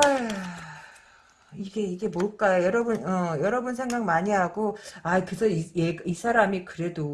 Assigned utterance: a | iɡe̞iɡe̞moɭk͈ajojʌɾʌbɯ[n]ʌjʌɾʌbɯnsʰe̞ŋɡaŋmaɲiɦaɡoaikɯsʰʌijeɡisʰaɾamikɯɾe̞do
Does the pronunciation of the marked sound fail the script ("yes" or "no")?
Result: no